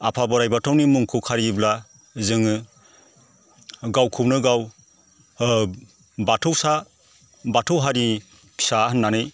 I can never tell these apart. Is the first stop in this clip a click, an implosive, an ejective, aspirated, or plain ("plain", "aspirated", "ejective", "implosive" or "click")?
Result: aspirated